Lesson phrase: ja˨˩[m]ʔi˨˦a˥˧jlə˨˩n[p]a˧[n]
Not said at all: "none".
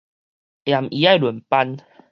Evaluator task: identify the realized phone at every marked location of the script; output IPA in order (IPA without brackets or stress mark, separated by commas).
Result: m, p, n